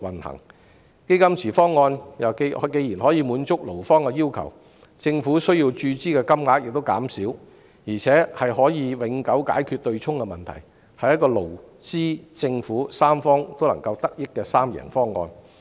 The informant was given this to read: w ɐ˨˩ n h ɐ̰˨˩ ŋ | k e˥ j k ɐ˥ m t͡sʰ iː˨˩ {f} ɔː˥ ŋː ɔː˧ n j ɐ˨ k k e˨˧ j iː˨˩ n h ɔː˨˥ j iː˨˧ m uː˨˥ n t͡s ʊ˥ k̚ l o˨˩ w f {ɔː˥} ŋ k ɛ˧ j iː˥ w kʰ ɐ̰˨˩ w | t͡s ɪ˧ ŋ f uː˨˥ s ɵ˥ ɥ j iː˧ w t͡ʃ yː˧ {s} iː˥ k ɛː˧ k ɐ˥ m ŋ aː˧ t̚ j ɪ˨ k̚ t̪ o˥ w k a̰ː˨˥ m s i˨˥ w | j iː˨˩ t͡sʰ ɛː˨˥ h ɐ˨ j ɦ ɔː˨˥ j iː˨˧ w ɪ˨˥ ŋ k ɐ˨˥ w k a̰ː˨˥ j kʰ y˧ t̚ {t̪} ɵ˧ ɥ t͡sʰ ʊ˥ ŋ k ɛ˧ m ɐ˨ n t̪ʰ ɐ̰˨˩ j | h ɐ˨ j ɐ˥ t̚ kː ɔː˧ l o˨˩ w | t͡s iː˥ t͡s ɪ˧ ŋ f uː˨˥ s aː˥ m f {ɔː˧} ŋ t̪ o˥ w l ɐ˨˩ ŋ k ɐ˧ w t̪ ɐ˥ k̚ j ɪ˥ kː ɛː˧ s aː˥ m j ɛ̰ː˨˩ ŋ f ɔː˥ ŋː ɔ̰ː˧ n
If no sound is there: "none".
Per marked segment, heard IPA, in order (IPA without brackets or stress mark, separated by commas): f, ɔː˥, t͡s, t̪, ɔː˥